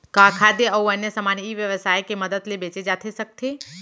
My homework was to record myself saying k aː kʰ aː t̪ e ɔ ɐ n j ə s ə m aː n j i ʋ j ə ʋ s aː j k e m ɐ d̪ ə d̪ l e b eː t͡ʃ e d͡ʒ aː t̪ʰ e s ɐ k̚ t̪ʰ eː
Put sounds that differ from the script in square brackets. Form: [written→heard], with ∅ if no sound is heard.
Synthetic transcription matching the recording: k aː kʰ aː [t̪→d̪] e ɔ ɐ n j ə s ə m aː n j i ʋ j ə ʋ s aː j k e m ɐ d̪ ə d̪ l e b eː t͡ʃ e d͡ʒ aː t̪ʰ e s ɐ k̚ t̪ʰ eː